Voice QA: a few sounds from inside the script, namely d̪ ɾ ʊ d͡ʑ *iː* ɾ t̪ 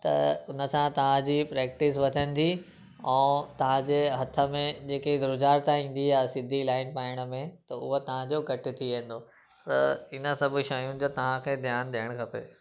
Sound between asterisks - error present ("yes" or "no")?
yes